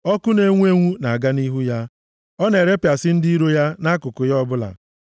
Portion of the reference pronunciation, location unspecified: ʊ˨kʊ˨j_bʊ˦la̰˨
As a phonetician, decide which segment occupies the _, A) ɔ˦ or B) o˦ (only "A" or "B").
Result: A